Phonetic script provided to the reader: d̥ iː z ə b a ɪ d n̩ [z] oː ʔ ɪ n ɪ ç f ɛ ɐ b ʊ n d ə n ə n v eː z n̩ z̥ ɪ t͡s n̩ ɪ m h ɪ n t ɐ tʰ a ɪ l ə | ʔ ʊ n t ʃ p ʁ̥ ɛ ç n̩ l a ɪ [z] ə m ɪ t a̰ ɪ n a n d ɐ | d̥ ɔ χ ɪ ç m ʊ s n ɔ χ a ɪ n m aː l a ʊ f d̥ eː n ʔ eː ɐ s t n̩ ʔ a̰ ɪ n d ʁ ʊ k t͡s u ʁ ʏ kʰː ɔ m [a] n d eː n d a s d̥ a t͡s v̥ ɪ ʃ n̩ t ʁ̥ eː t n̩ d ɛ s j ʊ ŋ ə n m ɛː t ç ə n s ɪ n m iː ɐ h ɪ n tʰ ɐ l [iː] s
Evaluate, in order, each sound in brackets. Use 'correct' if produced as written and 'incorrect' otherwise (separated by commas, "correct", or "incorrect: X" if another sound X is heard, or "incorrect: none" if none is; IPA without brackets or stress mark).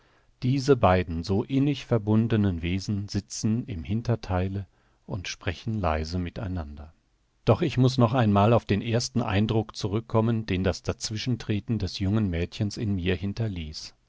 correct, correct, incorrect: ə, correct